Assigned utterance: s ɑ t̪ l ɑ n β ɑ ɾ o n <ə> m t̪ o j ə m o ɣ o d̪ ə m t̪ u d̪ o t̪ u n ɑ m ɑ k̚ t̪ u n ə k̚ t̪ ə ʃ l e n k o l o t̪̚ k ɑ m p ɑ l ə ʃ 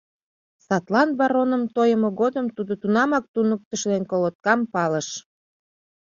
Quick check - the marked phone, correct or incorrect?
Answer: correct